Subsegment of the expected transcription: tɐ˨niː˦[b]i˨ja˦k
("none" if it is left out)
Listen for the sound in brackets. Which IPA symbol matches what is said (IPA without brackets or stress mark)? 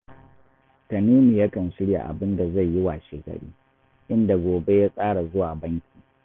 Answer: m